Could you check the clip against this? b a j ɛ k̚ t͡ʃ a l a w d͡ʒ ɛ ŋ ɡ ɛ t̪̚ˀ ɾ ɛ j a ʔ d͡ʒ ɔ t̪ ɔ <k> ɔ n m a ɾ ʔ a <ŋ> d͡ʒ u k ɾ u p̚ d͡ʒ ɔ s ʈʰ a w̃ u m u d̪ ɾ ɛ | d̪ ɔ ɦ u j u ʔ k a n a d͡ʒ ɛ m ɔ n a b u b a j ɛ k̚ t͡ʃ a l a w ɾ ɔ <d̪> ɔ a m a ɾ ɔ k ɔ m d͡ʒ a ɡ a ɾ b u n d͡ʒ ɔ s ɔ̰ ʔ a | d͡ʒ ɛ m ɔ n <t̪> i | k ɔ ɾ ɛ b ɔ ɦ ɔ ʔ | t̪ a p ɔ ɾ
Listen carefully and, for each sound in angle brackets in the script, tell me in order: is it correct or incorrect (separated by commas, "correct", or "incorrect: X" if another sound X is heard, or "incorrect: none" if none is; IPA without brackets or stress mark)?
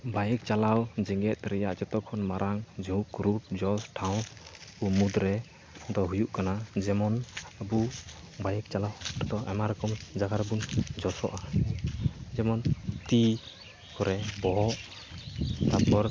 incorrect: kʰ, correct, incorrect: t̪, correct